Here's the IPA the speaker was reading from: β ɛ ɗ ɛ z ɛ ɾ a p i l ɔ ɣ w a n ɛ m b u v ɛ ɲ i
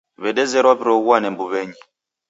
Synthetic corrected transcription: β ɛ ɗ ɛ z ɛ ɾ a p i ɾ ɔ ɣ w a n ɛ m b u β ɛ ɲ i